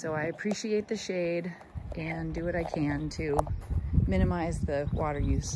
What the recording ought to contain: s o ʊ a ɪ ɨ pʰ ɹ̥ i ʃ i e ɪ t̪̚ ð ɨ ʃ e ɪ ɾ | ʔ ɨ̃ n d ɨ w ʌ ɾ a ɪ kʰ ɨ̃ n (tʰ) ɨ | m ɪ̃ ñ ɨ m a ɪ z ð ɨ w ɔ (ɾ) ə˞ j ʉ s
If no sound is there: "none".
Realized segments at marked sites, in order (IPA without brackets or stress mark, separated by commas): tʰ, ɾ